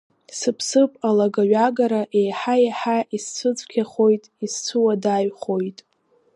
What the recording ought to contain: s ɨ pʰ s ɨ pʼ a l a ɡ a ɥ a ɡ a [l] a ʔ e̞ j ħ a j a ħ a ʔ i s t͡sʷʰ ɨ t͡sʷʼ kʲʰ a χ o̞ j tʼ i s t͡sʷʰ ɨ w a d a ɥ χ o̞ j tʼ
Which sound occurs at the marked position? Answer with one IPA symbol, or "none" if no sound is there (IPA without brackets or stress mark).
ɾ